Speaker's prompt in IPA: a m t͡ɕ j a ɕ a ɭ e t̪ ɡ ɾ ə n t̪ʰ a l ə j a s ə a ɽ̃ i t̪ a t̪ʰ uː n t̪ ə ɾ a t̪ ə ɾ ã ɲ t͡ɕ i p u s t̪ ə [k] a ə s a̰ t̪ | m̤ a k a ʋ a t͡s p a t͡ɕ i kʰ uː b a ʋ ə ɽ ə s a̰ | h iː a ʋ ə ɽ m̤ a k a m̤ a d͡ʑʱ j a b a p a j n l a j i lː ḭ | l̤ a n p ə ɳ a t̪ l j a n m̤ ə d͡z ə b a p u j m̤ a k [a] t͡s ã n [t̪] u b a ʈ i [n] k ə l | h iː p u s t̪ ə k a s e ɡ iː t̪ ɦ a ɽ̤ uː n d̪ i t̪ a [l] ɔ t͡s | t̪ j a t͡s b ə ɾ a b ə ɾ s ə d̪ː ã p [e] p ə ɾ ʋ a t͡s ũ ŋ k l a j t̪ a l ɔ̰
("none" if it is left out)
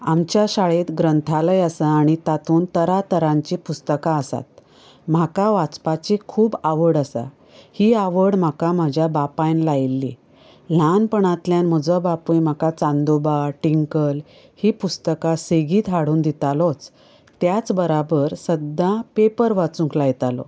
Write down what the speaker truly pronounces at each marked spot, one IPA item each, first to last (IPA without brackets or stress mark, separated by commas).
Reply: k, a, d̪, ŋ, l, e